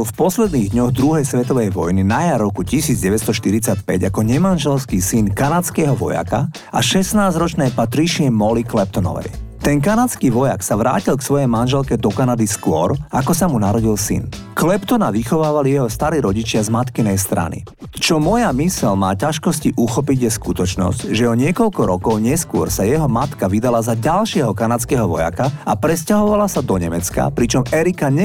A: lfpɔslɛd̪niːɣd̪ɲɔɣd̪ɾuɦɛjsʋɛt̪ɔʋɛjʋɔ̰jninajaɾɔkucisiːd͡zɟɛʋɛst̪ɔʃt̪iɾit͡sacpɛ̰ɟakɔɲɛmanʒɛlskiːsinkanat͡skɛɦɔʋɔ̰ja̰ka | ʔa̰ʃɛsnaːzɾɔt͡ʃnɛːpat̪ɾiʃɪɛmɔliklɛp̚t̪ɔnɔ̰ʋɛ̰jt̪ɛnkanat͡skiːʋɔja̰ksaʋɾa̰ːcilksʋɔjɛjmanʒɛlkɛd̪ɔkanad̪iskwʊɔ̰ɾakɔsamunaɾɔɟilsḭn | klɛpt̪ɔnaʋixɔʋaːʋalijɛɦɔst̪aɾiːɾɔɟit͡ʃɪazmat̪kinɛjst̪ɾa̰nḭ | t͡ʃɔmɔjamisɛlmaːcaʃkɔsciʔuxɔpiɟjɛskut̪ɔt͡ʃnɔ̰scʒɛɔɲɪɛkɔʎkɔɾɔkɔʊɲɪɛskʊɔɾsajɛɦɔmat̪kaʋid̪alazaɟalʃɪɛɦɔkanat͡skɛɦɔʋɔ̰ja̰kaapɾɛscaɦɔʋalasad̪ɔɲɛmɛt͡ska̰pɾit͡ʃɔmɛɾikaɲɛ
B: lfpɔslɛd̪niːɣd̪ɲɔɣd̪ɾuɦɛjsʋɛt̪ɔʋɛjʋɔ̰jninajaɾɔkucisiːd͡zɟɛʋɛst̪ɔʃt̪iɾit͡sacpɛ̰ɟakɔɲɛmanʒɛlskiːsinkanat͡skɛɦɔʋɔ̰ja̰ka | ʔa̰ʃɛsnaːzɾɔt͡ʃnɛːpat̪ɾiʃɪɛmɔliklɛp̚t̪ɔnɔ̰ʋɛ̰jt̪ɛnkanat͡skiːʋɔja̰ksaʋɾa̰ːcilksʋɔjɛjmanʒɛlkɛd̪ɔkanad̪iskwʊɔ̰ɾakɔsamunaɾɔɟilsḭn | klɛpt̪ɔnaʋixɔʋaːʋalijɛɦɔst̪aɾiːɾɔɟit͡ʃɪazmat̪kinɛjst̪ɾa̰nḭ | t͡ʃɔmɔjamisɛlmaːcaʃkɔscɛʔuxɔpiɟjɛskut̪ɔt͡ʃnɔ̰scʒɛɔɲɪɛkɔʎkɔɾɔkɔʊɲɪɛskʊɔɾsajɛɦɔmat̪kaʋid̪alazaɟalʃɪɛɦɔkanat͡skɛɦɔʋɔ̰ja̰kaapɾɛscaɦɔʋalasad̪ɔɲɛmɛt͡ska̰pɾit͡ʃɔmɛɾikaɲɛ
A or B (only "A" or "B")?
A